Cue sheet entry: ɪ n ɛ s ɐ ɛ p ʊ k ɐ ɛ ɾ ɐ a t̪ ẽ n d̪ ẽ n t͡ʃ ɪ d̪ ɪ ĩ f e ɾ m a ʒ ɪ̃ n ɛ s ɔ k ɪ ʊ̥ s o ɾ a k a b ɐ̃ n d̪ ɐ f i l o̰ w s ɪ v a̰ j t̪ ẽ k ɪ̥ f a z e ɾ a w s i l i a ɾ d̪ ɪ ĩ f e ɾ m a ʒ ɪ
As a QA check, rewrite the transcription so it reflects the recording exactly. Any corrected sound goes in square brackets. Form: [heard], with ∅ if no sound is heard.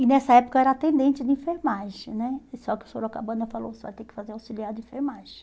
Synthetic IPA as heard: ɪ n ɛ s ɐ ɛ p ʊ k ɐ ɛ ɾ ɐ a t̪ ẽ n d̪ ẽ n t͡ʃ ɪ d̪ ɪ ĩ f e ɾ m a ʒ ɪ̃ n ɛ s ɔ k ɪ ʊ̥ s o ɾ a k a b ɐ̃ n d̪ ɐ f [a] l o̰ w s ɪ v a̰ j t̪ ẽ k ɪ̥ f a z e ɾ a w s i l i a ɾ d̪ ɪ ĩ f e ɾ m a ʒ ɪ